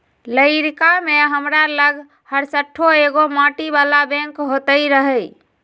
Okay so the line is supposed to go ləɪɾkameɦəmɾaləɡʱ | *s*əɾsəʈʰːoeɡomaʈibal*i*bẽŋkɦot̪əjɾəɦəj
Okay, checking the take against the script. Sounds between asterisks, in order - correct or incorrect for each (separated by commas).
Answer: incorrect, incorrect